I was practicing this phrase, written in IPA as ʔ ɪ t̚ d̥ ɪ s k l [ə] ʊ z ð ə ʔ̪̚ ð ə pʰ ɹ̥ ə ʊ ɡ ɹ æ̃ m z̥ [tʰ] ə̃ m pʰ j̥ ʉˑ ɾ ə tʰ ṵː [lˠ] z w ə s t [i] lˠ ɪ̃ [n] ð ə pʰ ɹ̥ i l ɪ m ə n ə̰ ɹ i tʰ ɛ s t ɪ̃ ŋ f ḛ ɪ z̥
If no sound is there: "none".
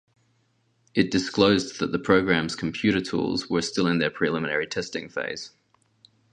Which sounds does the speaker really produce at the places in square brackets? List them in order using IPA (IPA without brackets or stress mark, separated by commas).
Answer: ə, kʰ, lˠ, ɪ, n